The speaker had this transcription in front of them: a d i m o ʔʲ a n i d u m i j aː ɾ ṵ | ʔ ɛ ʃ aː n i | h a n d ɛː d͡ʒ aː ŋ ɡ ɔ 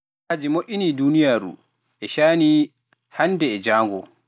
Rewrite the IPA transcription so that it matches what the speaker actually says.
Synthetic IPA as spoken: a d͡ʒ i m o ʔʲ i n i d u n i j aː ɾ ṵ | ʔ ɛ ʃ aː n i | h a n d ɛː d͡ʒ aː ŋ ɡ ɔ